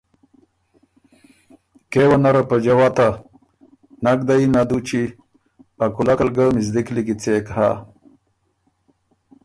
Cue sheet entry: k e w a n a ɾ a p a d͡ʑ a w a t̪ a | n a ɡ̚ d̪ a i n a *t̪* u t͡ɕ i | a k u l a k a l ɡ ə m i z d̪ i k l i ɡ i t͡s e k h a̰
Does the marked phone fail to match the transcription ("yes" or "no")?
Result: yes